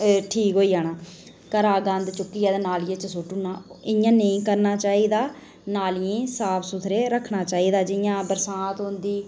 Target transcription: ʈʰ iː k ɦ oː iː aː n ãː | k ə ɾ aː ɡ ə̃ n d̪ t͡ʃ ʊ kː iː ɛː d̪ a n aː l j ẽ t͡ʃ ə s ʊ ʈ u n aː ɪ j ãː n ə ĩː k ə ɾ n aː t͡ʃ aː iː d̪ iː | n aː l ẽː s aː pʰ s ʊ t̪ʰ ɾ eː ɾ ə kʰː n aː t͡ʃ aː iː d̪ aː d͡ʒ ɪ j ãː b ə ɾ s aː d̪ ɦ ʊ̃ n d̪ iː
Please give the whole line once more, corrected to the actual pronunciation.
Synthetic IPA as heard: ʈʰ iː k ɦ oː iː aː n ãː | k ə ɾ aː ɡ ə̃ n d̪ t͡ʃ ʊ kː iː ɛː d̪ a n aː l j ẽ t͡ʃ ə s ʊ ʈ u n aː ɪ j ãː n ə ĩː k ə ɾ n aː t͡ʃ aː iː d̪ aː | n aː l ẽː s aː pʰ s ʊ t̪ʰ ɾ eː ɾ ə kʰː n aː t͡ʃ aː iː d̪ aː d͡ʒ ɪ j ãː b ə ɾ s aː t̪ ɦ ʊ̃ n d̪ iː